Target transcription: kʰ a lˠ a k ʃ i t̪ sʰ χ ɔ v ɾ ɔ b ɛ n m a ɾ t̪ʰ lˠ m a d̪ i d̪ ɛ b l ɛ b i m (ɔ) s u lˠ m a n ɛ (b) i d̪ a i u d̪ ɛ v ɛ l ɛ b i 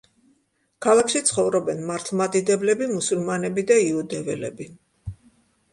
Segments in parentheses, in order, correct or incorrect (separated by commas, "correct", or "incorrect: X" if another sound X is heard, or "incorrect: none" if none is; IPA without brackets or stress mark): incorrect: u, correct